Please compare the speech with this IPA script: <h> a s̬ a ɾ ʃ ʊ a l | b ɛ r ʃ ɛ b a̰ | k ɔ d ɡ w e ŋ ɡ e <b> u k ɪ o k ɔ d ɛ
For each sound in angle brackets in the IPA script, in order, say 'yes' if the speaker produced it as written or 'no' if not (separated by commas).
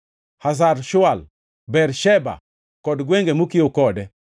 yes, no